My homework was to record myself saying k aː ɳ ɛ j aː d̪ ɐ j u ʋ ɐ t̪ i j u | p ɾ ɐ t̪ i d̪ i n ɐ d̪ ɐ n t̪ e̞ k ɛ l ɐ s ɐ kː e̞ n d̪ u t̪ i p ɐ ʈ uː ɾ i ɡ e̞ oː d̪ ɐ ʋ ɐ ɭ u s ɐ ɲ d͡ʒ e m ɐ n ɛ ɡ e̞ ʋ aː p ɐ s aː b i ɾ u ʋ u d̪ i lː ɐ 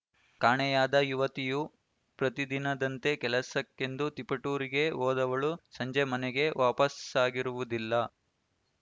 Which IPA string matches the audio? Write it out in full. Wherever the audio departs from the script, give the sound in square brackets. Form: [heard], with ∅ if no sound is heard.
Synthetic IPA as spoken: k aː ɳ ɛ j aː d̪ ɐ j u ʋ ɐ t̪ i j u | p ɾ ɐ t̪ i d̪ i n ɐ d̪ ɐ n t̪ e̞ k ɛ l ɐ s ɐ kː e̞ n d̪ u t̪ i p ɐ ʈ uː ɾ i ɡ e̞ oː d̪ ɐ ʋ ɐ ɭ u s ɐ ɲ d͡ʒ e m ɐ n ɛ ɡ e̞ ʋ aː p ɐ s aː [ɡ] i ɾ u ʋ u d̪ i lː ɐ